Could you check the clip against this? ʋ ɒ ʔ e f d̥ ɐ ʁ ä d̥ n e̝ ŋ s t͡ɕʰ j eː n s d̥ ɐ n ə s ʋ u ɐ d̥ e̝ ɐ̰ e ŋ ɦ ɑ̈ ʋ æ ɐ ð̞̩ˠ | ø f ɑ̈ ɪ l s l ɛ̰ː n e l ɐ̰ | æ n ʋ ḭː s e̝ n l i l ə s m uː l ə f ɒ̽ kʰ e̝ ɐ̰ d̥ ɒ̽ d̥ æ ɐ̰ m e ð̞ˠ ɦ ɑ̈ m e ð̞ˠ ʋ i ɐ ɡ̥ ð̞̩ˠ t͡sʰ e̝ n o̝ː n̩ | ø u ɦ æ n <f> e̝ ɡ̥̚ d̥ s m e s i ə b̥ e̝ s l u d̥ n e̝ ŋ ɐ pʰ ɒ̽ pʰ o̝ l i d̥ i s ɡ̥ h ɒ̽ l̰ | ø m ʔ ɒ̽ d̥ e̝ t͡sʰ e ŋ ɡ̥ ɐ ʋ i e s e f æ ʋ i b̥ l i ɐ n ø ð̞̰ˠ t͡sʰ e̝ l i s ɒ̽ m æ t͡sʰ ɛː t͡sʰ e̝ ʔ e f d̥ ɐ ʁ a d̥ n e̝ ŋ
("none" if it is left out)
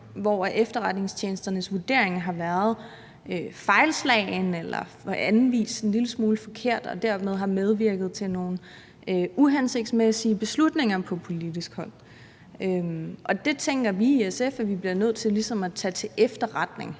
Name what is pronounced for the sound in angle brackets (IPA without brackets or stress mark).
s